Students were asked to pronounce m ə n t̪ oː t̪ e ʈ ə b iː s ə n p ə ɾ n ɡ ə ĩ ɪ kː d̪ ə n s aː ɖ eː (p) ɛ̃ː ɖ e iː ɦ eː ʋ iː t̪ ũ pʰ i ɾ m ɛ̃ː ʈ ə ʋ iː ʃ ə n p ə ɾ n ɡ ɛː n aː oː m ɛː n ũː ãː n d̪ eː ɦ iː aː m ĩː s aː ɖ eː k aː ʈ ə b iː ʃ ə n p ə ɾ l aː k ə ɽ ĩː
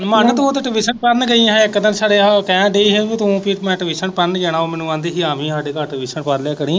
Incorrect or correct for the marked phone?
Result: incorrect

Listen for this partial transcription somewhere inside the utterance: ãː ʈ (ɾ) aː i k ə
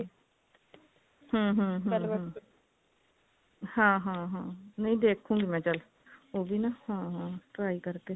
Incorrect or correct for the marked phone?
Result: correct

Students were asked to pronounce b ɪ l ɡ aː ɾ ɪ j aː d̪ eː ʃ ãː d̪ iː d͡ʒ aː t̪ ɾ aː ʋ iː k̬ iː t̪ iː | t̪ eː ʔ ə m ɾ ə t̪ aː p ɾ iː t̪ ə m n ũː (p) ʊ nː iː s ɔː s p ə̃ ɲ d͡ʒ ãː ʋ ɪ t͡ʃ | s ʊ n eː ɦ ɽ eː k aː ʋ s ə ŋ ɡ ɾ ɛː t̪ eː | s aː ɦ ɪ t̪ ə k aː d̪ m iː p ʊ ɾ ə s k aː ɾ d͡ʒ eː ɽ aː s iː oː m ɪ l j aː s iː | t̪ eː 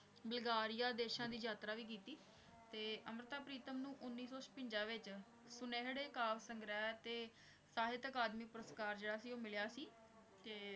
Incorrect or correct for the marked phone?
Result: incorrect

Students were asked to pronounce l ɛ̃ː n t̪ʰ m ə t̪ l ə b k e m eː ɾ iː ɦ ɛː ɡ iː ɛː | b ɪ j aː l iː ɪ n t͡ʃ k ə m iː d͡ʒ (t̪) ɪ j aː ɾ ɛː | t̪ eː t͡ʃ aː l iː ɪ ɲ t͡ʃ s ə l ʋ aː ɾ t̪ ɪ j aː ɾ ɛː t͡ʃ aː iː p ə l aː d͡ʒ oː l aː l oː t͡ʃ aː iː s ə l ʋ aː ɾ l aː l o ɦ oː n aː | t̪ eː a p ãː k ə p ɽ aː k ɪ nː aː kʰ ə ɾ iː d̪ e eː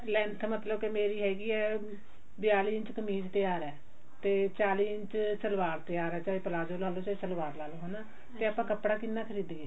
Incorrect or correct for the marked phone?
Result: correct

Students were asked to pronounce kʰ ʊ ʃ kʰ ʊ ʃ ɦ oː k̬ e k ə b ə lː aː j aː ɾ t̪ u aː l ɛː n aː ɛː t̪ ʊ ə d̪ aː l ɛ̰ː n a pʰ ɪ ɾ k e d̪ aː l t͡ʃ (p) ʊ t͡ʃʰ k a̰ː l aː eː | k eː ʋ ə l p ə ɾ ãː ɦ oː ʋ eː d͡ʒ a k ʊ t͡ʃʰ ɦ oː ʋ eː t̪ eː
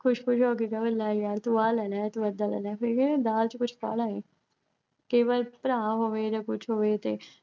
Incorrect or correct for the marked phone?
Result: incorrect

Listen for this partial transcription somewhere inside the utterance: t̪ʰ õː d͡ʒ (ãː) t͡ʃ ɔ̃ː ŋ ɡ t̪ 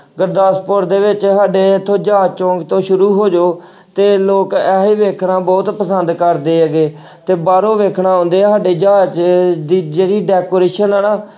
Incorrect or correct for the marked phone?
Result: incorrect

